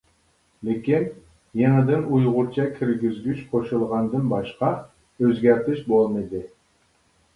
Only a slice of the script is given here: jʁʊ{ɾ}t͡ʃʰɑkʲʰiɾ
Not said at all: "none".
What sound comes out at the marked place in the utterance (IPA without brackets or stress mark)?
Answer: ɾ